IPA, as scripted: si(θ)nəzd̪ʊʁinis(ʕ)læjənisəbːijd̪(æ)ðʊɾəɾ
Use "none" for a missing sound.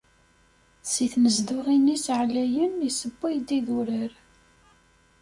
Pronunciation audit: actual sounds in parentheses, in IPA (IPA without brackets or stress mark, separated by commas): θ, ʕ, i